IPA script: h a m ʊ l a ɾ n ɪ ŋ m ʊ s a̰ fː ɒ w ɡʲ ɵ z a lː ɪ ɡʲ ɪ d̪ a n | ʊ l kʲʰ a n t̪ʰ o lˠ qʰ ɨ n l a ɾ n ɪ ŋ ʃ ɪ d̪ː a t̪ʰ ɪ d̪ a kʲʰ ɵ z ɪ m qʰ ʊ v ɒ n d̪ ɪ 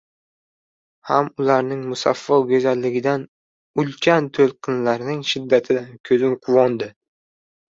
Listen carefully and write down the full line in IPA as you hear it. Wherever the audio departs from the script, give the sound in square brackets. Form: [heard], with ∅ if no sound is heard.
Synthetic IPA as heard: h a m ʊ l a ɾ n ɪ ŋ m ʊ s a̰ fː ɒ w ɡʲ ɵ z a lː ɪ ɡʲ ɪ d̪ a n | ʊ l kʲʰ a n t̪ʰ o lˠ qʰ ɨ n l a ɾ n ɪ ŋ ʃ ɪ d̪ː a t̪ʰ ɪ d̪ a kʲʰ ɵ z ɪ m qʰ ʊ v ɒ n d̪ ɪ